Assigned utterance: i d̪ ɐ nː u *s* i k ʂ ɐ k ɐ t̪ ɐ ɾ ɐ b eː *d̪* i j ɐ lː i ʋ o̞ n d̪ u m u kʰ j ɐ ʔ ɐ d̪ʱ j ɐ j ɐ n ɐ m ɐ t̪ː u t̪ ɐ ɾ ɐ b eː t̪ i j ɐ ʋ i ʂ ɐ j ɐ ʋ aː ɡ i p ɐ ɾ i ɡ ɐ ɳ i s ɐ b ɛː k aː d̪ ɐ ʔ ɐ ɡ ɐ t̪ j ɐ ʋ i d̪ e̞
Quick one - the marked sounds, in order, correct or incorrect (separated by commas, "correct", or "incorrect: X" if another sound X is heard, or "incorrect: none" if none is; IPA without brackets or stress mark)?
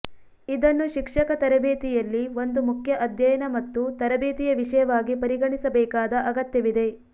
incorrect: ʃ, incorrect: t̪